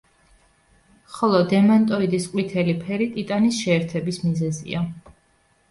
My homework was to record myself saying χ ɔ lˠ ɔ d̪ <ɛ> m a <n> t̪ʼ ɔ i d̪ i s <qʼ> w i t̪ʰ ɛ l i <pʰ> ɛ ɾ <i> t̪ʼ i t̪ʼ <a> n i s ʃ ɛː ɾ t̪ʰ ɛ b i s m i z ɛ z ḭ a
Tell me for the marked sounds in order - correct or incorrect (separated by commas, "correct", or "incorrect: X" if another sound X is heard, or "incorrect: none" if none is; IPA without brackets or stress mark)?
correct, correct, correct, correct, correct, correct